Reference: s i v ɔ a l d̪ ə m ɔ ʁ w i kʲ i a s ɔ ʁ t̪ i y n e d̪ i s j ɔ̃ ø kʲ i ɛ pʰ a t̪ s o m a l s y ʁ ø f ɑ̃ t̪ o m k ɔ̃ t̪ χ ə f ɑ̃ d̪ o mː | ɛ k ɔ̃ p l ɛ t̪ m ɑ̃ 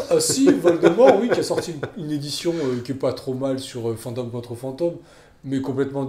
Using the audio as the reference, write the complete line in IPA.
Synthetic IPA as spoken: s i v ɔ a l d̪ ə m ɔ ʁ w i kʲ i a s ɔ ʁ t̪ i y n e d̪ i s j ɔ̃ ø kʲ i ɛ p a t̪ χ o m a l s y ʁ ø f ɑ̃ t̪ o m k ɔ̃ t̪ χ ə f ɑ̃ t̪ o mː | ɛ k ɔ̃ p l ɛ t̪ m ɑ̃